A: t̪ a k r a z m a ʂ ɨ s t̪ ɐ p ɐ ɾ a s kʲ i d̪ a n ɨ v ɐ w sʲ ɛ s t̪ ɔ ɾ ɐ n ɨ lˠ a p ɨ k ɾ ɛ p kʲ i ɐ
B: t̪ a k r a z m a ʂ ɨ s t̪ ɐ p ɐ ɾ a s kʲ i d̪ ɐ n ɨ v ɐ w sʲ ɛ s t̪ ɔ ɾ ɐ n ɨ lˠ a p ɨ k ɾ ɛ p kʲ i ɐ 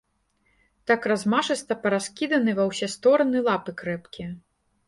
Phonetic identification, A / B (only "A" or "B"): B